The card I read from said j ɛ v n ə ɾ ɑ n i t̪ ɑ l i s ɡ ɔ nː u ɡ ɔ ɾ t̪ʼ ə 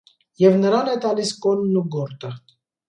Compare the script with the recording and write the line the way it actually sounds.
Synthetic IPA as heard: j ɛ v n ə ɾ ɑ n ɛ t̪ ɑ l i s k ɔ nː u ɡ ɔ ɾ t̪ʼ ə